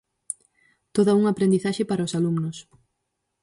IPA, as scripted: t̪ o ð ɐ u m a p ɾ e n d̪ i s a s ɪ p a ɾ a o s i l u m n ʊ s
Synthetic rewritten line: t̪ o ð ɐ u ŋ a p ɾ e n d̪ i θ a ʃ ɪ p a ɾ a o s a l u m n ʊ s

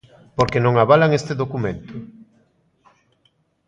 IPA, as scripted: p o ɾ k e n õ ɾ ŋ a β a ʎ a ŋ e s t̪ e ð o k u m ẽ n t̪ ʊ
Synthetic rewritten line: p o ɾ k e n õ ŋ a β a l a ŋ e s t̪ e ð o k u m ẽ n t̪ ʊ

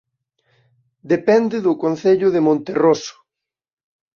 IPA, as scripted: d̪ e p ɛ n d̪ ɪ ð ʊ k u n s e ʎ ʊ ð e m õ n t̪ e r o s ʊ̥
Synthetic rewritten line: d̪ e p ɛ n d̪ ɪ ð ʊ k o n θ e ʎ ʊ ð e m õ n t̪ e r o s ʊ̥

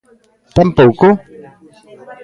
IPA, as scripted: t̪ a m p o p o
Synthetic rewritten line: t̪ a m p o k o

